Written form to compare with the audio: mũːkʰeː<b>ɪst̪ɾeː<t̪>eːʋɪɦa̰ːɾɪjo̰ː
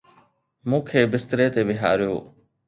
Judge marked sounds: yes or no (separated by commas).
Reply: yes, yes